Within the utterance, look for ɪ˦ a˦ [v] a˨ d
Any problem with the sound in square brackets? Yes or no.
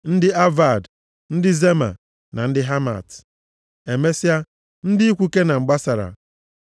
no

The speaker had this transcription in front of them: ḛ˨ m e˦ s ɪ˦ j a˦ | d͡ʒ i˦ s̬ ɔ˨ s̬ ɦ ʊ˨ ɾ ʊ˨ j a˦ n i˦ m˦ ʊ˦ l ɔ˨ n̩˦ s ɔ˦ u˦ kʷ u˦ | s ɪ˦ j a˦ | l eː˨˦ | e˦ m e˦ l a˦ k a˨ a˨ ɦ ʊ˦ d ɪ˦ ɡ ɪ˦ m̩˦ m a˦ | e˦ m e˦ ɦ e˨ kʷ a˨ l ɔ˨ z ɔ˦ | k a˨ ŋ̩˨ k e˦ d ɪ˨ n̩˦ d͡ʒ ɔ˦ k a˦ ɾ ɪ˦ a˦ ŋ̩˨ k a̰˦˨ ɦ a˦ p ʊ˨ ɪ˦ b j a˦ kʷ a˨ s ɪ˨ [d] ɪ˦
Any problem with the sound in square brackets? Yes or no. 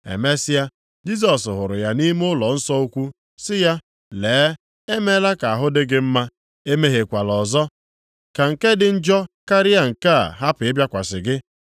yes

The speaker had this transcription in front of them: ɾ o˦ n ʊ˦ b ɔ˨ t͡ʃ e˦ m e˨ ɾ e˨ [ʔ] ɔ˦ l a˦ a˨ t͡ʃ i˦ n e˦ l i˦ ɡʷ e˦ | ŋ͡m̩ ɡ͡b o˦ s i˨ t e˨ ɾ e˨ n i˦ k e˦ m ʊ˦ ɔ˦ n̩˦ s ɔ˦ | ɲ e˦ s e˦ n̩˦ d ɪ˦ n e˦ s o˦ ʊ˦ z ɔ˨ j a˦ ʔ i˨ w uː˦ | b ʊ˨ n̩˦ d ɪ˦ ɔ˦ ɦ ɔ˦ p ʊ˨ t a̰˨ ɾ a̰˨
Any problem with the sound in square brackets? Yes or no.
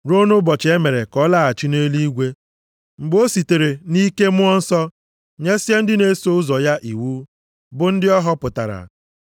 yes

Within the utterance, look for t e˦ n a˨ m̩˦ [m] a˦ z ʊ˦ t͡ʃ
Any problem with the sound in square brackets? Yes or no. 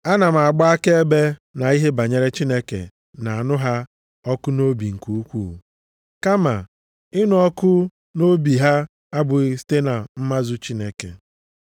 no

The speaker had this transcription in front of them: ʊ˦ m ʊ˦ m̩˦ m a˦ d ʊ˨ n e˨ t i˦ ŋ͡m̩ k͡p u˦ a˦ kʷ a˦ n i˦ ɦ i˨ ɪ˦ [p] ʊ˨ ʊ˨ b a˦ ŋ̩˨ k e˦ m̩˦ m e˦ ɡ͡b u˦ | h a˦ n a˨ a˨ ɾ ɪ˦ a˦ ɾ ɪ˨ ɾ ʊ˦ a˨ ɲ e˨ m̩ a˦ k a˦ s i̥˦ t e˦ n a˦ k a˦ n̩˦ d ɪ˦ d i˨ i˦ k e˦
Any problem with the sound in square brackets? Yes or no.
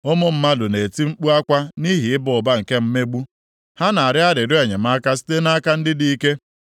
yes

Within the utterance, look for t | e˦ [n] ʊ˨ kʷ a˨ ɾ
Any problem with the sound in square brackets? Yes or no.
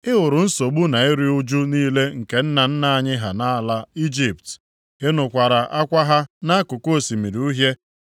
no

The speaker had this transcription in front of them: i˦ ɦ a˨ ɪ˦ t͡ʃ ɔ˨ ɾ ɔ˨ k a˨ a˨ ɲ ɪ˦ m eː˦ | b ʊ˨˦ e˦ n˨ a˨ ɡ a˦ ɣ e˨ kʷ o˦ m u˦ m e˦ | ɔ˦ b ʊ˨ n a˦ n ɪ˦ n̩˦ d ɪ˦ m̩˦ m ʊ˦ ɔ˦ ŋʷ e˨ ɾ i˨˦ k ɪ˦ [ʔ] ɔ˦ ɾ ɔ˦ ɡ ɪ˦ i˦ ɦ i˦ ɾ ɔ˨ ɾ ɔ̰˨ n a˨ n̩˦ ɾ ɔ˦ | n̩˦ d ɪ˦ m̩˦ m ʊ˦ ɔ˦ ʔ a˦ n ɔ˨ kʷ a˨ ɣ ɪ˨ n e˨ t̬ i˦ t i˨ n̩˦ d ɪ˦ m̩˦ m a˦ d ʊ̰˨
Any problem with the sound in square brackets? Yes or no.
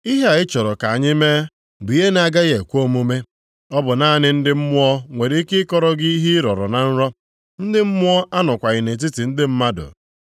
yes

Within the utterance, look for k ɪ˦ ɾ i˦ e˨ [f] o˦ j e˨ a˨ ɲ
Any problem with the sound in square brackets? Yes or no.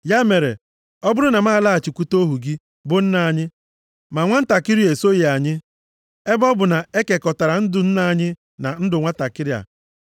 yes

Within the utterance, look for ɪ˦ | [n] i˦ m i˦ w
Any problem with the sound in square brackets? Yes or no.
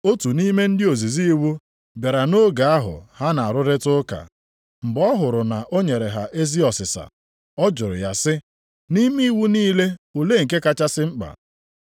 no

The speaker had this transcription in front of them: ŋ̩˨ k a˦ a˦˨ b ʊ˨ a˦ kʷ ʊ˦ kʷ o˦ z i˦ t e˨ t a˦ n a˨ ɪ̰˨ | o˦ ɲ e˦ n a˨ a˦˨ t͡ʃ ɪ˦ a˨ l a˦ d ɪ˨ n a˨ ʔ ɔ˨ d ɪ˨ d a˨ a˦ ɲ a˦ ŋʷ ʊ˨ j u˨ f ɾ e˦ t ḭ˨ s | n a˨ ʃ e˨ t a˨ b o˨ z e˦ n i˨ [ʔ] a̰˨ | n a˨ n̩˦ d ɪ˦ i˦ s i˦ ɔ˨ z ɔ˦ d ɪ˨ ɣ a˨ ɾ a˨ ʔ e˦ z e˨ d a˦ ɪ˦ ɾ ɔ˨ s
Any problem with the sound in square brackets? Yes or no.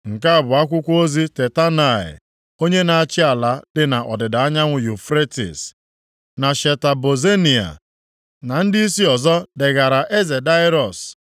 yes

